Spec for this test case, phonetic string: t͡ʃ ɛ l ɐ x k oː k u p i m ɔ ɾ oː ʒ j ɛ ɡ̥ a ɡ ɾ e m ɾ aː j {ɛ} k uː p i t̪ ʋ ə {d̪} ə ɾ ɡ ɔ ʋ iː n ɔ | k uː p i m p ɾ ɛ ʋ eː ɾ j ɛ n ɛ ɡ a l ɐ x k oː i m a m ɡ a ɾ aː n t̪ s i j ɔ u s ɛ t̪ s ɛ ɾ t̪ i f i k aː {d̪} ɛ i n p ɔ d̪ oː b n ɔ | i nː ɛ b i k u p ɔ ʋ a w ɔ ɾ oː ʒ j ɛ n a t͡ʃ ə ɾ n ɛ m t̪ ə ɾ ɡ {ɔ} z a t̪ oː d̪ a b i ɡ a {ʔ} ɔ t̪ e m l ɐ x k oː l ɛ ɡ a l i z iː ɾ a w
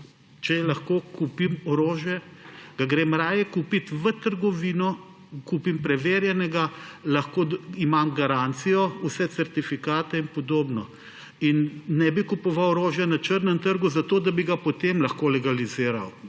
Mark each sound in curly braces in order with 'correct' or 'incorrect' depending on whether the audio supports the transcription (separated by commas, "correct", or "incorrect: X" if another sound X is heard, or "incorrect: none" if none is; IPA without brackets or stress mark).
correct, incorrect: t̪, incorrect: t̪, incorrect: u, incorrect: p